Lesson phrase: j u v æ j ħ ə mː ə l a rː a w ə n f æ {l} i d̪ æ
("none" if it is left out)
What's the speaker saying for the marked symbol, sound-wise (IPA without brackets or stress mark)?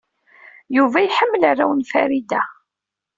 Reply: ɾ